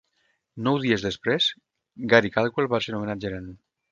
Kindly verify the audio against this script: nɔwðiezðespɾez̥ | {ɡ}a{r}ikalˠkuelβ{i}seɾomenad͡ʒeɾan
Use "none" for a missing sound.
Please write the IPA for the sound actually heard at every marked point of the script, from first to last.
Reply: ɡ, ɾ, a

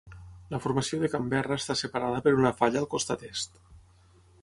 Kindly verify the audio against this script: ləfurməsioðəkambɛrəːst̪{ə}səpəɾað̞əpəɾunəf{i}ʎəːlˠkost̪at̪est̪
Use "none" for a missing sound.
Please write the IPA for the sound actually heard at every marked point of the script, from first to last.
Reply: a, a

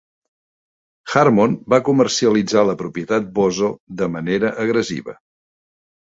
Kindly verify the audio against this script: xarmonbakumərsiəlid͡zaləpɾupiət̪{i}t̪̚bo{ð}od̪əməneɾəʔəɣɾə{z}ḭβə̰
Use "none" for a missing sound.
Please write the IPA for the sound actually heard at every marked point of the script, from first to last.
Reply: a, z, z

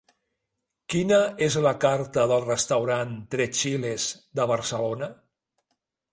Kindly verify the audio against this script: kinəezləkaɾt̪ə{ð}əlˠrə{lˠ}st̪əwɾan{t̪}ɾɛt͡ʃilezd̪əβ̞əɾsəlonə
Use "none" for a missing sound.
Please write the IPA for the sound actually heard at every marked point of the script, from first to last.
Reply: ð, none, t̪

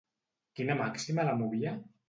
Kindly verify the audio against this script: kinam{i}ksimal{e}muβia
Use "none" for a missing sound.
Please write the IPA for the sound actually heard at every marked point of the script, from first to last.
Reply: a, a

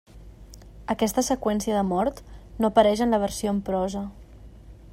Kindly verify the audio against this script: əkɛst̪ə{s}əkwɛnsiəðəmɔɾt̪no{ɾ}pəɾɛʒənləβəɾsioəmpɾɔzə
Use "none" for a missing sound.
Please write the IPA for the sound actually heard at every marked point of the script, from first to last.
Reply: s, none

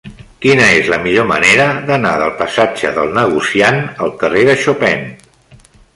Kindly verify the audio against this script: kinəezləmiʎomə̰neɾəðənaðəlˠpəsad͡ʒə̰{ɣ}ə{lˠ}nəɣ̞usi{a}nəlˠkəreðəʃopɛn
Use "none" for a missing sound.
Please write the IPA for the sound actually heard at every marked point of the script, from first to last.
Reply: ð, lˠ, a

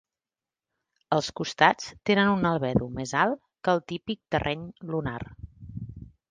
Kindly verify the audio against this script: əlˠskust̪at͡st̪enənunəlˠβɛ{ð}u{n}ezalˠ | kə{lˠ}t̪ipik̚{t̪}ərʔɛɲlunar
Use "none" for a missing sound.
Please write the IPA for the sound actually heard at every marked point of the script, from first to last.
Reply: ð, m, lˠ, t̪

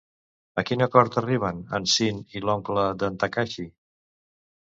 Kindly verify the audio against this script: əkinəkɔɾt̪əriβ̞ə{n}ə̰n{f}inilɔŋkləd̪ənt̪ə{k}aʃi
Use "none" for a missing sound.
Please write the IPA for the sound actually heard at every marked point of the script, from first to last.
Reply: n, s, k

